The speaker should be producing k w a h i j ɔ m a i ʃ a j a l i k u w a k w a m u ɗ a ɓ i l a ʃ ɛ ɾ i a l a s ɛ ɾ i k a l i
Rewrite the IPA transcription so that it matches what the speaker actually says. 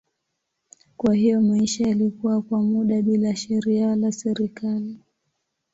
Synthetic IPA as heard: k w a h i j ɔ m a i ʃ a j a l i k u w a k w a m u ɗ a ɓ i l a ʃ ɛ ɾ i a l a s ɛ ɾ i k a l i